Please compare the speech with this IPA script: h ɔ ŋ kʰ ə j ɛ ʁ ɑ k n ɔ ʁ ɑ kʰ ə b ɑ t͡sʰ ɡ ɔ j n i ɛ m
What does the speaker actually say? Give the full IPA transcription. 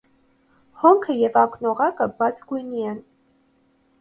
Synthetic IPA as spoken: h ɔ ŋ kʰ ə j ɛ v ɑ k n ɔ ʁ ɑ k ə b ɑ t͡sʰ ɡ u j n i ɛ n